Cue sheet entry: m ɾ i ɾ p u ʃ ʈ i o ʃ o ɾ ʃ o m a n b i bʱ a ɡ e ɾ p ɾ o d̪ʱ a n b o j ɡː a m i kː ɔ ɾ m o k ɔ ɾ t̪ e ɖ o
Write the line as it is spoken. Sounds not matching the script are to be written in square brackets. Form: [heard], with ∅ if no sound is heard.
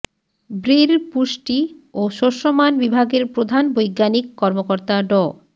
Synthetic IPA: [b] ɾ i ɾ p u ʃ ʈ i o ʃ o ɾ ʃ o m a n b i bʱ a ɡ e ɾ p ɾ o d̪ʱ a n b o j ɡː a [n] i kː ɔ ɾ m o k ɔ ɾ t̪ [a] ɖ [ɔ]

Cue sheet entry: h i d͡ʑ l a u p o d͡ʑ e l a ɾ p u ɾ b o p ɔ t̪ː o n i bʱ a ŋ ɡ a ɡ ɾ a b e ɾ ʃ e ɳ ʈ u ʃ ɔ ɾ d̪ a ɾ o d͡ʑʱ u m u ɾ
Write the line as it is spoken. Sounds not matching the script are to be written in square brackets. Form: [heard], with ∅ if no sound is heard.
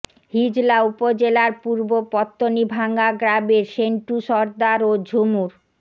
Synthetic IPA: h i d͡ʑ l a u p o d͡ʑ e l a ɾ p u ɾ b o p ɔ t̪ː o n i bʱ a ŋ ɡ a ɡ ɾ a b e ɾ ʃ e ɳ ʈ u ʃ ɔ ɾ d̪ a ɾ o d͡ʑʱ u m u ɾ

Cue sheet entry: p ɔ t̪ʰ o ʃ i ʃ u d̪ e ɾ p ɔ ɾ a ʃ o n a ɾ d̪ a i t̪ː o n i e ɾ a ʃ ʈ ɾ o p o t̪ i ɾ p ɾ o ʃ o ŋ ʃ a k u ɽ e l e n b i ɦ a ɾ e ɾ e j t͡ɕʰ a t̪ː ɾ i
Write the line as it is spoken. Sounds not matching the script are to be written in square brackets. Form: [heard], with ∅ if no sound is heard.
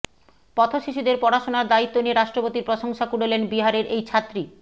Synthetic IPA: p ɔ t̪ʰ o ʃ i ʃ u d̪ e ɾ p ɔ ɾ a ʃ o n a ɾ d̪ a i t̪ː o n i e ɾ a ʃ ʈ ɾ o p o t̪ i ɾ p ɾ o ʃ o ŋ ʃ a k u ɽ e l e n b i ɦ a ɾ e ɾ e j t͡ɕʰ a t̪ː ɾ i

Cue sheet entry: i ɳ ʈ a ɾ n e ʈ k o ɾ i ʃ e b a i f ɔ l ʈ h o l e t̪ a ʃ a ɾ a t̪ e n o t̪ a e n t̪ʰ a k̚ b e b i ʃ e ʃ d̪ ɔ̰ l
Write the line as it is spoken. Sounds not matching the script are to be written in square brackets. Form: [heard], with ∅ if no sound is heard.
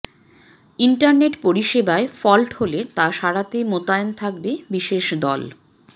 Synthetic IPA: i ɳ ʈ a ɾ n e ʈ [p] o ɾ i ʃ e b a [e] f ɔ l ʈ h o l e t̪ a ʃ a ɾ a t̪ e [m] o t̪ a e n t̪ʰ a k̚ b e b i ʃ e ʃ d̪ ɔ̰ l

